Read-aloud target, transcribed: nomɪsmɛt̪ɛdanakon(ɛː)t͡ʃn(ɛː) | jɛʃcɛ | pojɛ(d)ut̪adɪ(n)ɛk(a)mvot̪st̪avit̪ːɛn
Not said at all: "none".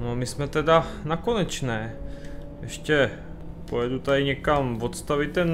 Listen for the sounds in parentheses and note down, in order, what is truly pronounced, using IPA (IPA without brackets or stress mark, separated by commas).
ɛ, ɛː, d, ɲ, a